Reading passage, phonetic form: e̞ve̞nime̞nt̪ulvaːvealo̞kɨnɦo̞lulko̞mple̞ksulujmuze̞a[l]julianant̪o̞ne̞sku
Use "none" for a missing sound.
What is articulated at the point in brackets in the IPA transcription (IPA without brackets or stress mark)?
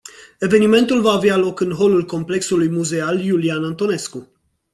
l